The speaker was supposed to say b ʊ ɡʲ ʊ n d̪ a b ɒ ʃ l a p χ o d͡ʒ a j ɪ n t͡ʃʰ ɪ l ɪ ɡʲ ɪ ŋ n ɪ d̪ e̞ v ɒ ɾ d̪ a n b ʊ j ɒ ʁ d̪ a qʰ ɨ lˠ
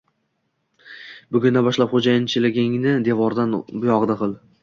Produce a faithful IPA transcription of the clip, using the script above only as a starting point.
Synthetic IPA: b ʊ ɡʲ ʊ n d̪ a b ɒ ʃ l a p χ o d͡ʒ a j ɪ n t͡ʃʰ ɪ l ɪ ɡʲ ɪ ŋ n ɪ d̪ e̞ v ɒ ɾ d̪ a n b ʊ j ɒ ʁ d̪ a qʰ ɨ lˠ